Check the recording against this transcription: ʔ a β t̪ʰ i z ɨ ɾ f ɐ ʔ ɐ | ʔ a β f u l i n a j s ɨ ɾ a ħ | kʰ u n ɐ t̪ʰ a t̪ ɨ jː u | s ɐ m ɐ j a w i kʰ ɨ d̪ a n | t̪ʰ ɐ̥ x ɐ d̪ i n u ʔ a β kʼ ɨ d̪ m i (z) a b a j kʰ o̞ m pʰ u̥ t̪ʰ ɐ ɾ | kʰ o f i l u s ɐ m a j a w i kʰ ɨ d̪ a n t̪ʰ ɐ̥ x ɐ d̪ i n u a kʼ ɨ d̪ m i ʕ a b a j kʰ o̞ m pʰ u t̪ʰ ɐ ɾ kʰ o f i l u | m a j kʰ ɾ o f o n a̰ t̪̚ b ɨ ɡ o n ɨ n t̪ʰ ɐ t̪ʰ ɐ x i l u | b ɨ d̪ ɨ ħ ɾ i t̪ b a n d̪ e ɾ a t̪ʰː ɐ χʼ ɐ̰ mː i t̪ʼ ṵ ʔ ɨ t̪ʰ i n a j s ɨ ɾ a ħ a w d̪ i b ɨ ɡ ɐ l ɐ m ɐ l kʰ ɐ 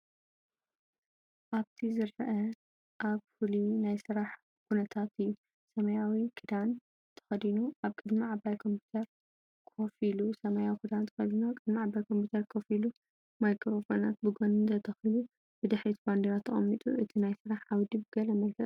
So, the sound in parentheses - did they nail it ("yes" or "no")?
no